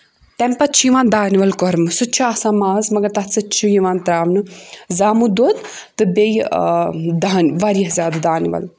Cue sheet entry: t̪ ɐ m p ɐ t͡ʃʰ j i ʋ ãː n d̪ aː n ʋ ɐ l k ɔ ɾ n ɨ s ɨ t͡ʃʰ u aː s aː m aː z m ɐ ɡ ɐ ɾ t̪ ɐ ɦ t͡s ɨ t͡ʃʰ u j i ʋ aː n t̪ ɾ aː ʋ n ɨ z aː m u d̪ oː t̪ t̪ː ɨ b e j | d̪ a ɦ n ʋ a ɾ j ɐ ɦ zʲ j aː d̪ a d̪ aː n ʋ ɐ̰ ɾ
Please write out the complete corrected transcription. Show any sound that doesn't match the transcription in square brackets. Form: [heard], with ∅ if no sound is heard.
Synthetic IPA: t̪ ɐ m p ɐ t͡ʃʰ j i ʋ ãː n d̪ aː n ʋ ɐ l k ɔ ɾ [m] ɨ s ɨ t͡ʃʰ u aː s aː m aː z m ɐ ɡ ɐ ɾ t̪ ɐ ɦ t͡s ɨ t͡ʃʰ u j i ʋ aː n t̪ ɾ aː ʋ n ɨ z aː m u d̪ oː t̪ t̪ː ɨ b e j | d̪ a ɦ n ʋ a ɾ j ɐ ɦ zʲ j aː d̪ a d̪ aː n ʋ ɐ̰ [l]